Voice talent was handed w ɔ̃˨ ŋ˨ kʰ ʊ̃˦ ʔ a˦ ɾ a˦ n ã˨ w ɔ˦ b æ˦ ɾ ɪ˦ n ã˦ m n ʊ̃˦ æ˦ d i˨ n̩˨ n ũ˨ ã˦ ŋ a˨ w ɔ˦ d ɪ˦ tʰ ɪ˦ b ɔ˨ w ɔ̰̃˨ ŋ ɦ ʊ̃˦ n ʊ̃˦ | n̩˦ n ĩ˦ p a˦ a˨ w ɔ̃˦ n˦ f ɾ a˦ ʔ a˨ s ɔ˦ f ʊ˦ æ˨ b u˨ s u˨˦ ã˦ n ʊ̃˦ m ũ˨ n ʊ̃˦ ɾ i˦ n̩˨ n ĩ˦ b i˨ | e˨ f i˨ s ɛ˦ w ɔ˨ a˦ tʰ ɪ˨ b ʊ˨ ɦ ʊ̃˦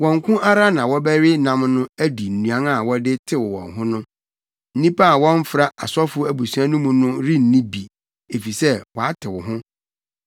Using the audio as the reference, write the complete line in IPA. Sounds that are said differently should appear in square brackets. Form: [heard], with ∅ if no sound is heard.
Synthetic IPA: w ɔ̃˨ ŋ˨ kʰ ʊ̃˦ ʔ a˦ ɾ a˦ n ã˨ w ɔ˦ b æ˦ ɾ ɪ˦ n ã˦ m n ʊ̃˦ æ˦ d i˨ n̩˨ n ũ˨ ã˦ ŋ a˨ w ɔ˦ d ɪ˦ tʰ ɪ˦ [w] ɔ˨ w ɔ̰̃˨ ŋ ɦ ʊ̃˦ n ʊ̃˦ | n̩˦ n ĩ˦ p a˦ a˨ w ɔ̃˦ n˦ f ɾ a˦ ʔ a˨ s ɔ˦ f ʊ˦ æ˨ b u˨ s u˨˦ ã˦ n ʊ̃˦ m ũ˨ n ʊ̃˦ ɾ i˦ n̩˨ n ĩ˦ b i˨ | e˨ f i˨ s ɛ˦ w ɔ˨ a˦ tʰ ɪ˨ [w] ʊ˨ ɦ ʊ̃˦